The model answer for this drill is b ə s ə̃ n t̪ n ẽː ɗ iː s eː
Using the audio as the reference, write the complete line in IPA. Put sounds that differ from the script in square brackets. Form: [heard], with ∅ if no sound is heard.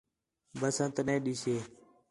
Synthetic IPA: b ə s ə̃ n t̪ n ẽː ɗ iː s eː